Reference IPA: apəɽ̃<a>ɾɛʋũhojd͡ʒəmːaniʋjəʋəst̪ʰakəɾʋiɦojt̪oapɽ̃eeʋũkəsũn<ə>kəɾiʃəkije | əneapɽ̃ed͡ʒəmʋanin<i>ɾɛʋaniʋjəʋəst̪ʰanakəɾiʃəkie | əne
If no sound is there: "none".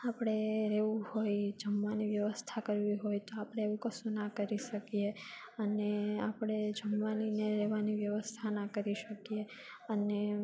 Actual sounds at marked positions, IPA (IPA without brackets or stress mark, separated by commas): e, a, e